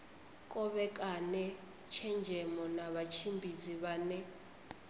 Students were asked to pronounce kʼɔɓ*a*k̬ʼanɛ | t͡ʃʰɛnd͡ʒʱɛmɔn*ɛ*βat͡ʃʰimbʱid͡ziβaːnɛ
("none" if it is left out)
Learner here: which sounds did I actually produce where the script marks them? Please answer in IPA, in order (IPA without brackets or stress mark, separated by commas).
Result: ɛ, a